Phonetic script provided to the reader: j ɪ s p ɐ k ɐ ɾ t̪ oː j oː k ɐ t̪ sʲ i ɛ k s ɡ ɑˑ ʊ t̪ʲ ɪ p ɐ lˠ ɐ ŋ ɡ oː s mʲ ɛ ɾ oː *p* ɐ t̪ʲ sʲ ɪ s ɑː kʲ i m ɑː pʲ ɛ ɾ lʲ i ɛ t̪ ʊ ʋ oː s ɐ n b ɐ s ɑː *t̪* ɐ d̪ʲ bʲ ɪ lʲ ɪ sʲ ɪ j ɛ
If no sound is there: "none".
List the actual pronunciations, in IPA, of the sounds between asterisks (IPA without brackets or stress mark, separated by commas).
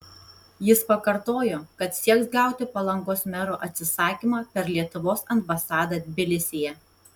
ʔ, d̪